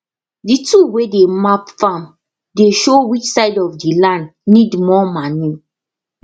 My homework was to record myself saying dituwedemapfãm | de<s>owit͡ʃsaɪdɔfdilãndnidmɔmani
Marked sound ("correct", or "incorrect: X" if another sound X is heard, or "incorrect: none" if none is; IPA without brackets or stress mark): incorrect: ʃ